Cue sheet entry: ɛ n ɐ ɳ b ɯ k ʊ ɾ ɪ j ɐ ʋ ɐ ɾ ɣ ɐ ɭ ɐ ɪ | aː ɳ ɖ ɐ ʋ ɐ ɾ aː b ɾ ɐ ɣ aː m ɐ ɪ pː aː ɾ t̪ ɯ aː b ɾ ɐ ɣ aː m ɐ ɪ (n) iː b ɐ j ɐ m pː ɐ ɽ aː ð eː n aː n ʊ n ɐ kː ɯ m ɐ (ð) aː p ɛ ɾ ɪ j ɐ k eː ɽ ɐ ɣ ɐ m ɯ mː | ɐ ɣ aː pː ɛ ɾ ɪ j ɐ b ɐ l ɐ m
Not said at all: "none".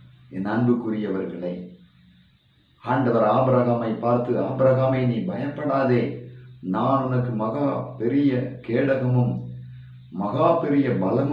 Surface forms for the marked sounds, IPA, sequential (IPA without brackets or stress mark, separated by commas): n, ɣ